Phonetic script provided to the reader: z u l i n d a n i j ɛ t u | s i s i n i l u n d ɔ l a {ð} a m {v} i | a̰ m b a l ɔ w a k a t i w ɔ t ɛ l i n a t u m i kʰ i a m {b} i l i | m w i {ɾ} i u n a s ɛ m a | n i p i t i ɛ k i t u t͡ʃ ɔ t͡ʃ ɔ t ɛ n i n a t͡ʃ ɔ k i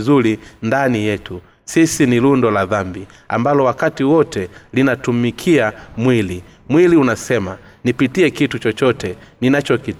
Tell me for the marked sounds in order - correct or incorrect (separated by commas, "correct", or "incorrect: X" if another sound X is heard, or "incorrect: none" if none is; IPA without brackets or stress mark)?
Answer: correct, incorrect: b, incorrect: w, incorrect: l